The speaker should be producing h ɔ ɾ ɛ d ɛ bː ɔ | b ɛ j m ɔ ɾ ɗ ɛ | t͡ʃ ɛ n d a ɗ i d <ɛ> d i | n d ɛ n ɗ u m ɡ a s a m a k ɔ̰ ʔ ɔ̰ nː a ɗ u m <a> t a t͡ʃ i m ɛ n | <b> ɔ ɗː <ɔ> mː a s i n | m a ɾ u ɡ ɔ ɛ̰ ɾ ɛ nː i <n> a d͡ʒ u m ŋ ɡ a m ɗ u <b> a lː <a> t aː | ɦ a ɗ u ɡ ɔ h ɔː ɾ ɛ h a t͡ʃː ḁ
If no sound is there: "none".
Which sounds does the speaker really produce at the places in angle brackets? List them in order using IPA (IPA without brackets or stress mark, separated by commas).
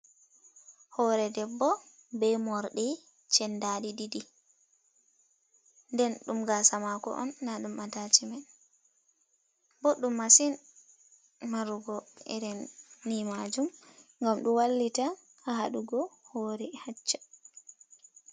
i, a, b, u, m, w, i